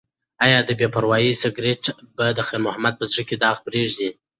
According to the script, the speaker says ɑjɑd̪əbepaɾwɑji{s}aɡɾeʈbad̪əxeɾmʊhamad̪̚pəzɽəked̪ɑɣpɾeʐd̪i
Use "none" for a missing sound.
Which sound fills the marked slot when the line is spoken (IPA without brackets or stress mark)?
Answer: s